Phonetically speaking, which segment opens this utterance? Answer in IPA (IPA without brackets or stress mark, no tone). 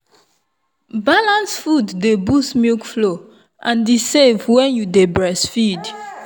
b